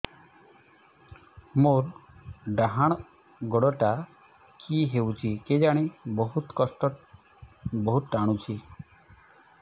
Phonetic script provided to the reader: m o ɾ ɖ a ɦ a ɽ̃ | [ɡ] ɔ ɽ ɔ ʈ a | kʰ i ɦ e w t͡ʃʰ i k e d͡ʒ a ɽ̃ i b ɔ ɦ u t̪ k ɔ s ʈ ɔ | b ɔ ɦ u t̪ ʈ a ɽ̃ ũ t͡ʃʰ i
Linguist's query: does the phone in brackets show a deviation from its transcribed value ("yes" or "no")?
no